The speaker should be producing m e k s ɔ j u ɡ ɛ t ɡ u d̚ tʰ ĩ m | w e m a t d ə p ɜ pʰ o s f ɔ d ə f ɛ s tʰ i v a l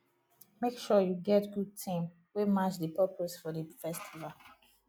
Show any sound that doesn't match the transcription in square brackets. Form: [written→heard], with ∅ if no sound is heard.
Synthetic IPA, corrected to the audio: m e k [s→ʃ] ɔ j u ɡ ɛ t ɡ u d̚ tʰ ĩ m | w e m a [t→t͡ʃ] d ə p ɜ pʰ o s f ɔ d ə f ɛ s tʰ i v a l